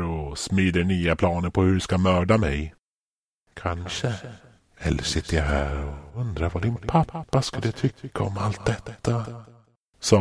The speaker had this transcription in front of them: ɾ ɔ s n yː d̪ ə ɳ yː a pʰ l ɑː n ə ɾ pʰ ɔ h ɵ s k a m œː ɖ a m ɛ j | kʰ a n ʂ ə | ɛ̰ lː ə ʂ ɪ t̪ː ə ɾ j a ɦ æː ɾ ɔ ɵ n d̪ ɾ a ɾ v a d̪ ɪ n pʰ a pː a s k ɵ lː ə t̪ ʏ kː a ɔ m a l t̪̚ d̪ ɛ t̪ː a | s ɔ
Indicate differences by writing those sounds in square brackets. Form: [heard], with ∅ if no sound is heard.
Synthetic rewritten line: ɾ ɔ s [m] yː d̪ ə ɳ yː a pʰ l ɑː n ə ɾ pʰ ɔ h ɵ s k a m œː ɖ a m ɛ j | kʰ a n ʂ ə | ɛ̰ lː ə ʂ ɪ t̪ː ə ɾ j a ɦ æː ɾ ɔ ɵ n d̪ ɾ a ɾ v a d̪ ɪ n pʰ a pː a s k ɵ lː ə [t̪ʰ] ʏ kː a ɔ m a l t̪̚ d̪ ɛ t̪ː a | s ɔ